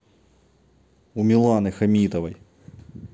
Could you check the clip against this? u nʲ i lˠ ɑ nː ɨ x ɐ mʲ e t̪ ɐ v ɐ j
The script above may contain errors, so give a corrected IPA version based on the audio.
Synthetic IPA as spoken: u mʲ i lˠ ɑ n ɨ x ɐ mʲ i t̪ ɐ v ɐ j